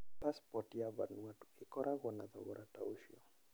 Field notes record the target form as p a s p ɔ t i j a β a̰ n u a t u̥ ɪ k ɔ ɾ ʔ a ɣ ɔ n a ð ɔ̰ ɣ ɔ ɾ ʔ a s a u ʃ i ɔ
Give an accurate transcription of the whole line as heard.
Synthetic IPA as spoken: p a s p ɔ t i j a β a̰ n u a t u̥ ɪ k ɔ ɾ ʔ a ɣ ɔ n a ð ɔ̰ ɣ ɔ ɾ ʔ a t a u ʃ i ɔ